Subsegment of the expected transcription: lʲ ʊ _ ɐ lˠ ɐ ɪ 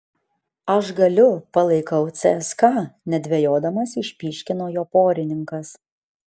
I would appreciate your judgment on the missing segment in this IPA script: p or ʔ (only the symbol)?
p